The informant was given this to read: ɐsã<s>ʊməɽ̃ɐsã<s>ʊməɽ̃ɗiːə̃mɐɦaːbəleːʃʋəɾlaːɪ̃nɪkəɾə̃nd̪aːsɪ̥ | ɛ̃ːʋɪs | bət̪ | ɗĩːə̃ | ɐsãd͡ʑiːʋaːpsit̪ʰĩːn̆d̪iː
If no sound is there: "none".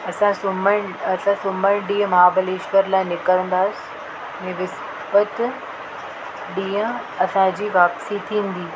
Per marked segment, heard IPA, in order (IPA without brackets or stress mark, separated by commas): s, s